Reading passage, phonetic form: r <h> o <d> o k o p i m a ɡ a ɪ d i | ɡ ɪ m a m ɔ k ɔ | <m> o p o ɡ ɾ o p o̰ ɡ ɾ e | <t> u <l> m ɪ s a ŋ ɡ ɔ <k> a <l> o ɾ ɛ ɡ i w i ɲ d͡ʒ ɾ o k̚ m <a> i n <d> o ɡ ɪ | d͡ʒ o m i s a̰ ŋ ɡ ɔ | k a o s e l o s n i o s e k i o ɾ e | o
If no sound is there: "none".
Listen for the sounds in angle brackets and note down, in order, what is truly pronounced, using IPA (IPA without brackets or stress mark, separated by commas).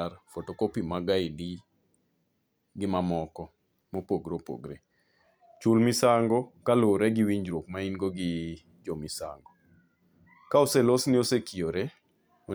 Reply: f, t, m, t͡ʃ, l, k, l, a, ɡ